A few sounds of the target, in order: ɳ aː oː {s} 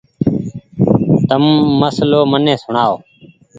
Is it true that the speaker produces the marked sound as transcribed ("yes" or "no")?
no